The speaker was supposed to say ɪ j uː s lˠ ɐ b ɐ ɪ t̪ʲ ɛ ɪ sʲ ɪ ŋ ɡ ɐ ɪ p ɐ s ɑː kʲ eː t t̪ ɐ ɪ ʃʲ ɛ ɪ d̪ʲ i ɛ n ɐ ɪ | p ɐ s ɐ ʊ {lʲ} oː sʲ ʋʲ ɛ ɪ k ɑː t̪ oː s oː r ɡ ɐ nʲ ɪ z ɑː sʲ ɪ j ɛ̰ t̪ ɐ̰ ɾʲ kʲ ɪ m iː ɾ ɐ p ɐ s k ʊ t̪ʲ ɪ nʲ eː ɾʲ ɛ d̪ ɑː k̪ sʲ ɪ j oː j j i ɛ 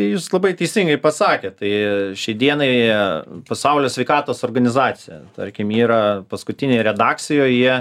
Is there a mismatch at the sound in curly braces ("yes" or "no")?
no